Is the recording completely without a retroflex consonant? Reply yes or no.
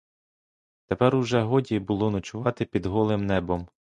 yes